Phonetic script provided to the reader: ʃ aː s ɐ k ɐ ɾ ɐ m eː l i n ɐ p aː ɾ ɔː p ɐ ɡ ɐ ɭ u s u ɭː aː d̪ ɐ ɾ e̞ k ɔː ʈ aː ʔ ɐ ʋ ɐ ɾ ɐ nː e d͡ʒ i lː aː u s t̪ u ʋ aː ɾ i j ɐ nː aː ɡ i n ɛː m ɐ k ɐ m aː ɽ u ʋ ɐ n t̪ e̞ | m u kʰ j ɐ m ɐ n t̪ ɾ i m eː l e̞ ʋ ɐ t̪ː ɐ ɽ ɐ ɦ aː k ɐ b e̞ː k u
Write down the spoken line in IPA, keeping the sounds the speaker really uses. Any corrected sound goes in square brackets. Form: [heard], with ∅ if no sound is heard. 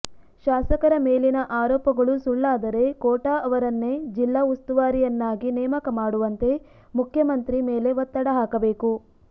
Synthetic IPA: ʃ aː s ɐ k ɐ ɾ ɐ m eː l i n ɐ [ʔ] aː ɾ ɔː p ɐ ɡ ɐ ɭ u s u ɭː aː d̪ ɐ ɾ e̞ k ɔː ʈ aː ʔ ɐ ʋ ɐ ɾ ɐ nː e d͡ʒ i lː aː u s t̪ u ʋ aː ɾ i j ɐ nː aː ɡ i n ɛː m ɐ k ɐ m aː ɽ u ʋ ɐ n t̪ e̞ | m u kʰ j ɐ m ɐ n t̪ ɾ i m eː l e̞ ʋ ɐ t̪ː ɐ ɽ ɐ ɦ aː k ɐ b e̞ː k u